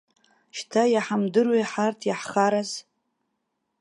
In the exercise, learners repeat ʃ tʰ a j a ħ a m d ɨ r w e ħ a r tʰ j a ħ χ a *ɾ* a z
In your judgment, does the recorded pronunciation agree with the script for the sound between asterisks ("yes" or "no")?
yes